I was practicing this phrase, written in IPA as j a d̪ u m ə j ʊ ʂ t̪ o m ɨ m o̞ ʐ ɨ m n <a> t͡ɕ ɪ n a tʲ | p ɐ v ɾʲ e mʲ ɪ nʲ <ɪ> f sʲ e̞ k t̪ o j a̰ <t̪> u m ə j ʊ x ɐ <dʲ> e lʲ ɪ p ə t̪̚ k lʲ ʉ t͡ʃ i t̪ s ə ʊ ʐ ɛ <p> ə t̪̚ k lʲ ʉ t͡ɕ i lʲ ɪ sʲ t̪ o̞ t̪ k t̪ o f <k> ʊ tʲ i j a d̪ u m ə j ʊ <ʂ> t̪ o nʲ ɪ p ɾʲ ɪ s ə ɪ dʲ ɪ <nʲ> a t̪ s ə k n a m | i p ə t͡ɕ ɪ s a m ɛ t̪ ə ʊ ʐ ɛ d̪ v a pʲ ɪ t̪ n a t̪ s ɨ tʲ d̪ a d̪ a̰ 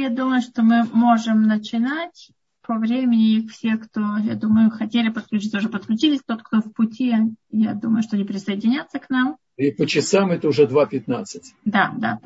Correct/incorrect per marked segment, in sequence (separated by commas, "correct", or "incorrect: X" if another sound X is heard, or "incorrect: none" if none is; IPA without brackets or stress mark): incorrect: ə, correct, incorrect: d̪, incorrect: tʲ, correct, incorrect: p, correct, correct